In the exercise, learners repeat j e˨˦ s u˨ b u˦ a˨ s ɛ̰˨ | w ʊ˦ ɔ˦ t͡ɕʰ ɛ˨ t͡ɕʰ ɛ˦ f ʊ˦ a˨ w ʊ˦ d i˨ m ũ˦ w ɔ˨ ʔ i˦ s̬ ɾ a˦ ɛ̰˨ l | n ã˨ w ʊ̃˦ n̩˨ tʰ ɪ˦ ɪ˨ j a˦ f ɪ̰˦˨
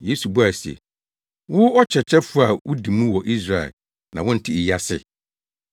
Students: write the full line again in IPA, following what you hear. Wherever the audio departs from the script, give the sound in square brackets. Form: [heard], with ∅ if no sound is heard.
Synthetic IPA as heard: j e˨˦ s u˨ b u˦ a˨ s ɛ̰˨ | w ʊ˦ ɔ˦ t͡ɕʰ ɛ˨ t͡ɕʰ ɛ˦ f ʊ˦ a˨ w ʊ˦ d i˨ m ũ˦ w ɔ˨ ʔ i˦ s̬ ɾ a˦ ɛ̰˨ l | n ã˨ w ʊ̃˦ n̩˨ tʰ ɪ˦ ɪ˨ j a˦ [s] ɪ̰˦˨

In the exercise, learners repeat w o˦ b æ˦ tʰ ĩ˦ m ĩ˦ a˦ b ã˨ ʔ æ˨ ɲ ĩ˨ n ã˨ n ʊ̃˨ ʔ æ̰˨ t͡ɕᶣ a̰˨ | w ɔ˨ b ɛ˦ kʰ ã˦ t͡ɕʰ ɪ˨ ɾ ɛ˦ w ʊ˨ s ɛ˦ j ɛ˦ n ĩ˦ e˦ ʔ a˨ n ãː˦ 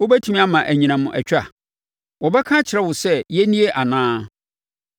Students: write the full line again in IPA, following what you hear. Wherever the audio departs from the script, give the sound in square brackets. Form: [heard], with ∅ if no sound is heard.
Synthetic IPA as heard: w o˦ b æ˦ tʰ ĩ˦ m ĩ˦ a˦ [m] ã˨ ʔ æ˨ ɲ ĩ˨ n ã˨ [m] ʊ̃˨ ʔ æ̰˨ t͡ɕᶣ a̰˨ | w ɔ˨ b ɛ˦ kʰ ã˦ t͡ɕʰ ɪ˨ ɾ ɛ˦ w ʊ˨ s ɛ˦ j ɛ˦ n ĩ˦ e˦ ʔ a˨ n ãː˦

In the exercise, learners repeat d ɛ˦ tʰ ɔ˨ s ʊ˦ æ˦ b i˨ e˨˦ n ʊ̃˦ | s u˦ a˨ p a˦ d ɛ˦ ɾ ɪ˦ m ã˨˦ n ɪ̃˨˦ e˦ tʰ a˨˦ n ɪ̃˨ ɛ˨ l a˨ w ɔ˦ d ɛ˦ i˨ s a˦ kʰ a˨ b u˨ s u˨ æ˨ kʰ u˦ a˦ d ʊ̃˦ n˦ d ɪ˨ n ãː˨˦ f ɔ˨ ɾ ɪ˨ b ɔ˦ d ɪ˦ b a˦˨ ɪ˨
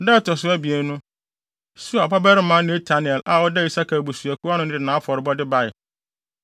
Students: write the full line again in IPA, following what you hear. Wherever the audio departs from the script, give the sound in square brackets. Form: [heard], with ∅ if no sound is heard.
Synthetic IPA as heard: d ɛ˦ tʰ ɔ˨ s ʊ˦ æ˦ b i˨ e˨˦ n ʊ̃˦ | s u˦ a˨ p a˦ [b] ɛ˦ ɾ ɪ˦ m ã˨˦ n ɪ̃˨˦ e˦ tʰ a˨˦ n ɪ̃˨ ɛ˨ l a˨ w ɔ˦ d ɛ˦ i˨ s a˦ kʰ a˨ b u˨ s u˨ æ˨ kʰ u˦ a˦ [n] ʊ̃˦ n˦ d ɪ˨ n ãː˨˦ f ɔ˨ ɾ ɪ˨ b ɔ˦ d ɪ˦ b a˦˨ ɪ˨

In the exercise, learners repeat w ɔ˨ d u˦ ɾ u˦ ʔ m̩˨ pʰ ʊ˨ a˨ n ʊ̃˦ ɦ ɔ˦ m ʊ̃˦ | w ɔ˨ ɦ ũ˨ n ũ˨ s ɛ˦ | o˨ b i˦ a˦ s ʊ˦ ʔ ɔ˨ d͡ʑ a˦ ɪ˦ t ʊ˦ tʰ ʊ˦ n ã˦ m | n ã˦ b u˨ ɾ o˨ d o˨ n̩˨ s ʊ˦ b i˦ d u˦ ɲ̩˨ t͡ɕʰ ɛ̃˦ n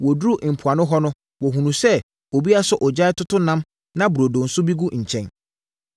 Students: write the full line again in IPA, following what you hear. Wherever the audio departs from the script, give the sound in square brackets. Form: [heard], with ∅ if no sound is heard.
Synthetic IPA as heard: w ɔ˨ d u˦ ɾ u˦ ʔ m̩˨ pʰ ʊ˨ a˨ n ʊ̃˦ ɦ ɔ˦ [n] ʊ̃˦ | w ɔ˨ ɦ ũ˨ n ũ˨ s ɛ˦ | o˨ b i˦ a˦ s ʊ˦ ʔ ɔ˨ d͡ʑ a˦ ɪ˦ t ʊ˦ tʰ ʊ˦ n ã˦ m | n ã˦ b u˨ ɾ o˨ d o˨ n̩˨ s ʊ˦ b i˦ [ɡ] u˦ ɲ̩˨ t͡ɕʰ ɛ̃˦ n

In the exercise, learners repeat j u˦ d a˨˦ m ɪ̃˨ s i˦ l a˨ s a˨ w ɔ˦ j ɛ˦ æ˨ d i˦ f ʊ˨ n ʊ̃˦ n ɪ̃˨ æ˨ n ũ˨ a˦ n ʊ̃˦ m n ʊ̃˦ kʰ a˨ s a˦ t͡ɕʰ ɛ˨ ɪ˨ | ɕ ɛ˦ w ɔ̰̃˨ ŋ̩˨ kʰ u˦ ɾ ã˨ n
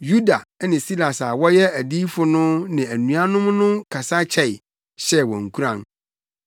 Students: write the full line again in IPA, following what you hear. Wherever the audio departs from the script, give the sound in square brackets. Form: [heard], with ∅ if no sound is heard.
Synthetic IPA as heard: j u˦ d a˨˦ [n] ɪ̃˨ s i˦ l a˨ s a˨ w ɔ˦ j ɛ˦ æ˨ d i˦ f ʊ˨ n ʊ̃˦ n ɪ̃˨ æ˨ n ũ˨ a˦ n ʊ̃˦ m n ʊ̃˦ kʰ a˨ s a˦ t͡ɕʰ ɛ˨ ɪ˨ | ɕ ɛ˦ w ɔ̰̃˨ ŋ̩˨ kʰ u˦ ɾ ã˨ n

